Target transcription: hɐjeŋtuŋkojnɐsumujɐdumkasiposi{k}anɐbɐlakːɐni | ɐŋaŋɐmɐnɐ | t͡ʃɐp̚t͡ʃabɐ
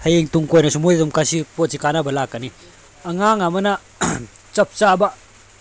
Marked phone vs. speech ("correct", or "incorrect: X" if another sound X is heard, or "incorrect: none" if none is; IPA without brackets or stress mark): correct